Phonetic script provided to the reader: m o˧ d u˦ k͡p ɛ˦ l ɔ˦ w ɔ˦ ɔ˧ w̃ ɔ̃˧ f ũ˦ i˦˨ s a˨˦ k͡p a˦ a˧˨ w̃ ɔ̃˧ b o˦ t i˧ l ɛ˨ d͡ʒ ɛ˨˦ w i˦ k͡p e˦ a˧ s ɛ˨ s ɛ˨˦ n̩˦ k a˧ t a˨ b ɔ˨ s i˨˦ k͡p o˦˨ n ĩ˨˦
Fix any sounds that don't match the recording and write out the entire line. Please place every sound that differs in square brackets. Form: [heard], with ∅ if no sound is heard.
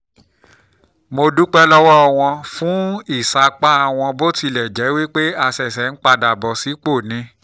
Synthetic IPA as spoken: m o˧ d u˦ k͡p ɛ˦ l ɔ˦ w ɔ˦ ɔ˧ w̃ ɔ̃˧ f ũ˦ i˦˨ s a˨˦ k͡p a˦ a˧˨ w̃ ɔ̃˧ b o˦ t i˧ l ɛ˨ d͡ʒ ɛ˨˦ w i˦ k͡p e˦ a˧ s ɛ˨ s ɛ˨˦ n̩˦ [k͡p] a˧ [d] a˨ b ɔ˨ s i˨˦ k͡p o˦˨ n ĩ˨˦